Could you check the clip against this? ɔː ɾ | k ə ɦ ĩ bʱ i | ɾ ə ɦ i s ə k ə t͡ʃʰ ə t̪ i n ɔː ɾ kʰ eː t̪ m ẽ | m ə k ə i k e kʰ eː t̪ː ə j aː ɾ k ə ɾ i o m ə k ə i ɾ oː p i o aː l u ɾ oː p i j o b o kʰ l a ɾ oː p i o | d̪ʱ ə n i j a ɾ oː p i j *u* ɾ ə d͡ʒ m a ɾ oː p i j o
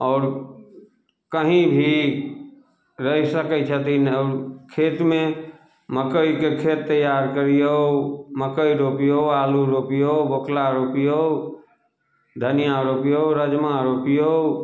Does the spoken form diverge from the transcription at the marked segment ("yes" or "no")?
yes